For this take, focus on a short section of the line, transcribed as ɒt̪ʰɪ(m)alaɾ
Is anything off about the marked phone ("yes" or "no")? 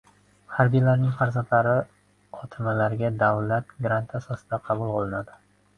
no